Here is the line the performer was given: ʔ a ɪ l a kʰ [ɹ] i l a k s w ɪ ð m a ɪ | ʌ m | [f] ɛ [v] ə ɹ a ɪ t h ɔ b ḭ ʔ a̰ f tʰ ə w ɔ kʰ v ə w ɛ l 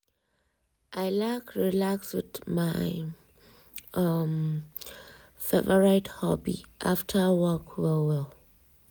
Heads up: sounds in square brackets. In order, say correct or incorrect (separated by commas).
correct, correct, correct